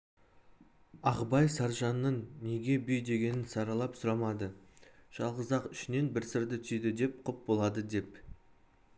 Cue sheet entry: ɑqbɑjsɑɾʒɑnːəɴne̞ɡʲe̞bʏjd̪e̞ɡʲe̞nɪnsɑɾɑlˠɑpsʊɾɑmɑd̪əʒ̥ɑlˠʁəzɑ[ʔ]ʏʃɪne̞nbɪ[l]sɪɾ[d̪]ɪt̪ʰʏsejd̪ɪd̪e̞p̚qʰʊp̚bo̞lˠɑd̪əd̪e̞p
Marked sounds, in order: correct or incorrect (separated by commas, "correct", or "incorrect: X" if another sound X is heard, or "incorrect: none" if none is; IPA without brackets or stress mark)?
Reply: incorrect: q, incorrect: ɾ, correct